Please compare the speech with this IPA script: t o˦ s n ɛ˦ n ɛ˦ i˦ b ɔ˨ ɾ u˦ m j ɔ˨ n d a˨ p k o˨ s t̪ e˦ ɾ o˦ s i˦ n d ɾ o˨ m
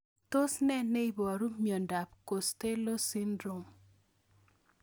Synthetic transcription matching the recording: t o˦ s n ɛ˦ n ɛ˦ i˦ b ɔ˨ ɾ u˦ m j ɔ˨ n d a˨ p k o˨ s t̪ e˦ l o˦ s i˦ n d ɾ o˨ m